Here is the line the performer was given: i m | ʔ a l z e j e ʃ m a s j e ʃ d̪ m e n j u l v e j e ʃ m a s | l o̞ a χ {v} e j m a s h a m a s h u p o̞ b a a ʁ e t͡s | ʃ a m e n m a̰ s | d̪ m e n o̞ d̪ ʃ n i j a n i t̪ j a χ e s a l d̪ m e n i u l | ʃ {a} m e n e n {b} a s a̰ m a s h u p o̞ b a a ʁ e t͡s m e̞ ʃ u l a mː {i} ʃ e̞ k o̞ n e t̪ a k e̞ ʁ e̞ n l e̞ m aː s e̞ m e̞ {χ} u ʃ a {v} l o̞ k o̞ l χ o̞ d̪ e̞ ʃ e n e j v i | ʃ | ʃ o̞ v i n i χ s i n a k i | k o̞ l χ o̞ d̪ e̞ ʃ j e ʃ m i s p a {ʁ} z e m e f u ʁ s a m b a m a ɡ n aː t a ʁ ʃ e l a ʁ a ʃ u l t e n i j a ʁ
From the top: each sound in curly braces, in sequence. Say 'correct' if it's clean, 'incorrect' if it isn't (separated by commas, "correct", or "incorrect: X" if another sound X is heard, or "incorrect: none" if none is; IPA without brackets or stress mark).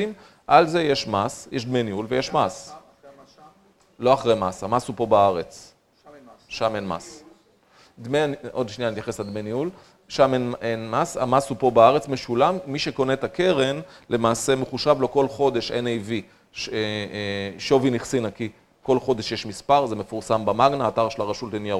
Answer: incorrect: ʁ, correct, incorrect: m, correct, correct, correct, correct